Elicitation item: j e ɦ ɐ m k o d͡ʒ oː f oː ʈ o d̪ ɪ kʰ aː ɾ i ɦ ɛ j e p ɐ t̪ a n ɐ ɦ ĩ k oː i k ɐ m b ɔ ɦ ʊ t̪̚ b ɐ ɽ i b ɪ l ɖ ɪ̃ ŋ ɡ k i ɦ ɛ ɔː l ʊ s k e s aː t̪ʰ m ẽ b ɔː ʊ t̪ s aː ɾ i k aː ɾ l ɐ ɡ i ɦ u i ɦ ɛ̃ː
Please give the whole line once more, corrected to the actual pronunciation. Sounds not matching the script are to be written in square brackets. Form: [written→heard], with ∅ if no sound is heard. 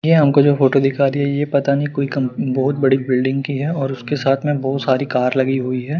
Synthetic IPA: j e ɦ ɐ m k o d͡ʒ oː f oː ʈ o d̪ ɪ kʰ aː ɾ i ɦ ɛ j e p ɐ t̪ a n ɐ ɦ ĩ k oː i k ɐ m b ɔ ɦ ʊ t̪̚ b ɐ ɽ i b ɪ l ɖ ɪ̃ ŋ ɡ k i ɦ ɛ ɔː [l→ɾ] ʊ s k e s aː t̪ʰ m ẽ b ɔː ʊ t̪ s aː ɾ i k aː ɾ l ɐ ɡ i ɦ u i ɦ [ɛ̃ː→ɛː]